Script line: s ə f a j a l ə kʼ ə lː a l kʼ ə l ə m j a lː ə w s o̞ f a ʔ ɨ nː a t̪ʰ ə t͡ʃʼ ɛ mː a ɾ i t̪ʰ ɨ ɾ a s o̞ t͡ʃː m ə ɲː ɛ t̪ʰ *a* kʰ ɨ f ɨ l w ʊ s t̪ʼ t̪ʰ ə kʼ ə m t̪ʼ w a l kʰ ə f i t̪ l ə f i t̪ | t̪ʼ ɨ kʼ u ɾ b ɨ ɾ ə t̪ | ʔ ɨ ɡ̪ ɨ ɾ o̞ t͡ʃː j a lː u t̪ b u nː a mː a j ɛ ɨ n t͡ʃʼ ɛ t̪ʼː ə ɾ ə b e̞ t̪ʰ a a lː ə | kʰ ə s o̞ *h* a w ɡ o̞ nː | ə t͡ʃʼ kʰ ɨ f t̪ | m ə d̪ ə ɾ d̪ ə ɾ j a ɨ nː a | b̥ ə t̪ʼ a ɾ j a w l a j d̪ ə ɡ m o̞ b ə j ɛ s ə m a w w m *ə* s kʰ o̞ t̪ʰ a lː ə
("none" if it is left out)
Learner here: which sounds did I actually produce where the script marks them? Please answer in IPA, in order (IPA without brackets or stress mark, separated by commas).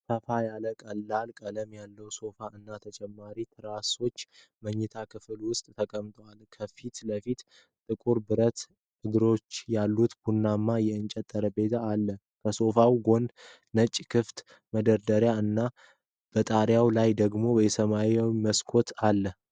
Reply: a, f, ə